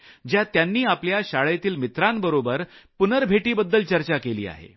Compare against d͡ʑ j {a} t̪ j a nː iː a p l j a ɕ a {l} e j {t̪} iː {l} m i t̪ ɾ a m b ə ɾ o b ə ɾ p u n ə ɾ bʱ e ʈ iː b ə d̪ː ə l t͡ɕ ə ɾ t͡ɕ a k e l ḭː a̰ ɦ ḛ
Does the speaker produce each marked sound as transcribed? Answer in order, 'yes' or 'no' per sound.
yes, no, yes, yes

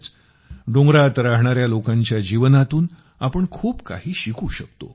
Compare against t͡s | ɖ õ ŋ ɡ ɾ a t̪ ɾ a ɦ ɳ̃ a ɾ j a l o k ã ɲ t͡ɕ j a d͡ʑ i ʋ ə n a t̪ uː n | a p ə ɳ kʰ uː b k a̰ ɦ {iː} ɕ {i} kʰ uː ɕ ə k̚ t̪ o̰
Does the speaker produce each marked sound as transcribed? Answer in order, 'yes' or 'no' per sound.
yes, yes

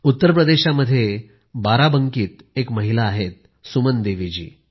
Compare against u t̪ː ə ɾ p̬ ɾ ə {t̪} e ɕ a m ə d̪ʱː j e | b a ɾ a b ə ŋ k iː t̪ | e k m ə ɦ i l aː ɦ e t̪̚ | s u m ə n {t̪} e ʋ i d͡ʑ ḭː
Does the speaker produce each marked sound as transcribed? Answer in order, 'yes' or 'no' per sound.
no, no

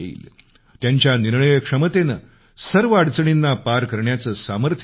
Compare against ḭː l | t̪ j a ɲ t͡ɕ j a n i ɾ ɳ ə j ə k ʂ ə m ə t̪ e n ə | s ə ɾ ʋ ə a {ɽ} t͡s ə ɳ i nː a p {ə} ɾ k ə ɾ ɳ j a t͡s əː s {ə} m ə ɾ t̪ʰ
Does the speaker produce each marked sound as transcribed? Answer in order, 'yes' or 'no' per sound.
yes, no, no

